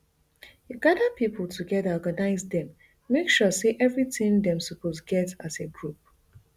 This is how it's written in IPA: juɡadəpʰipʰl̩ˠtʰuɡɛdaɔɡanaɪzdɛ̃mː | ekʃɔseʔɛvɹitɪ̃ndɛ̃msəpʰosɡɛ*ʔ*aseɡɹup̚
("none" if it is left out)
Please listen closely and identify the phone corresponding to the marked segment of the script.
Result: t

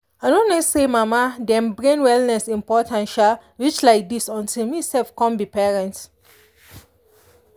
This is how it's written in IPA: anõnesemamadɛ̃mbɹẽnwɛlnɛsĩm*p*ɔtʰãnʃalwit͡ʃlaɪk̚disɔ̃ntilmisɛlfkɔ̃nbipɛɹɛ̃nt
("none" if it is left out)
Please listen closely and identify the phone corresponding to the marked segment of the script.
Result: p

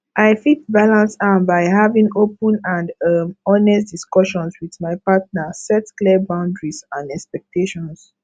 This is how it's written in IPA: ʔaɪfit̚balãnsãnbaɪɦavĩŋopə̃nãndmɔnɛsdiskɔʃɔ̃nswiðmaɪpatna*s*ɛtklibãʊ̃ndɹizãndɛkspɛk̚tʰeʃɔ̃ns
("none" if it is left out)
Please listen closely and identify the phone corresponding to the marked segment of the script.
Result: s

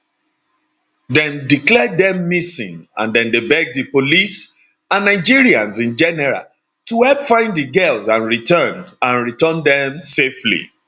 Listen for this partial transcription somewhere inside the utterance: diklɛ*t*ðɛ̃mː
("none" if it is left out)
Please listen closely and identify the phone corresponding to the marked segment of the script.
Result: d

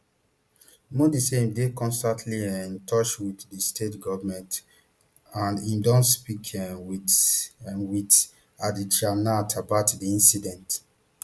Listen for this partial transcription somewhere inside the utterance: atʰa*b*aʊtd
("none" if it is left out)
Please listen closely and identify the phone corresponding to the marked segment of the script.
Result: b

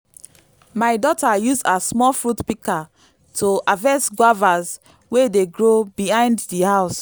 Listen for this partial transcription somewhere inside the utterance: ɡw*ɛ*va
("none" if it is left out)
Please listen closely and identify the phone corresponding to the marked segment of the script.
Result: a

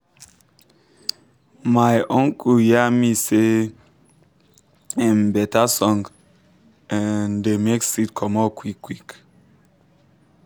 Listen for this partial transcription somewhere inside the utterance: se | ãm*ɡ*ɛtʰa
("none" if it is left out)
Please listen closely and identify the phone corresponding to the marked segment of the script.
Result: b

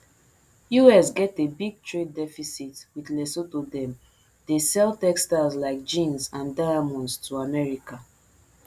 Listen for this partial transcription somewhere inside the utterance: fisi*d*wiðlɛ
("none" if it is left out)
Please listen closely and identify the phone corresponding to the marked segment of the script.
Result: t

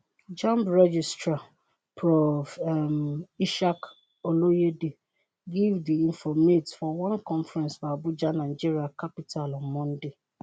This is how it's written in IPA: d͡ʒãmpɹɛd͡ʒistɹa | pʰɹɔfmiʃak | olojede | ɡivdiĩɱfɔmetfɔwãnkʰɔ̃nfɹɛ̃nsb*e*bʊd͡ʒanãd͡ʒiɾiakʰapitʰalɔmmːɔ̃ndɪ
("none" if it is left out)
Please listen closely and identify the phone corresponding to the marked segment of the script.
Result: a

